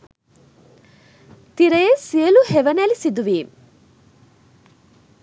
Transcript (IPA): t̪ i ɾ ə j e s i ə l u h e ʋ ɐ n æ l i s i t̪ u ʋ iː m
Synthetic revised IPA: t̪ i ɾ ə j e s i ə l u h e ʋ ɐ n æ l i s i d̪ u ʋ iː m